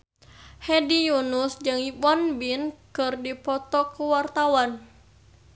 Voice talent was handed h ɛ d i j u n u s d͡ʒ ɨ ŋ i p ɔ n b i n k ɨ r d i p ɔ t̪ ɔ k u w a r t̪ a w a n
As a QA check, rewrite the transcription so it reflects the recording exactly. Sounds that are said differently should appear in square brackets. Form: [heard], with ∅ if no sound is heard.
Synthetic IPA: h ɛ d i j u n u s d͡ʒ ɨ ŋ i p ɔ n b i n k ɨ r d i p ɔ t̪ ɔ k u w a r t̪ a w a n